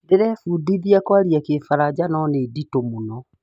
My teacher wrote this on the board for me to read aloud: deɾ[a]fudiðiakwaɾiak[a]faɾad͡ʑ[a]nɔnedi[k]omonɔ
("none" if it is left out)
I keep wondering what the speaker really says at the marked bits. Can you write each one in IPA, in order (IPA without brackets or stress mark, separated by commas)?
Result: ɛ, e, a, t